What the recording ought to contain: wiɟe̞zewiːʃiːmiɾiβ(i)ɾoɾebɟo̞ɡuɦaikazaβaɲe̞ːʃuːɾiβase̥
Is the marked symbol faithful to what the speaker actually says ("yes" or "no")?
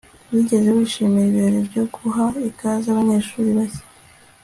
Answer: yes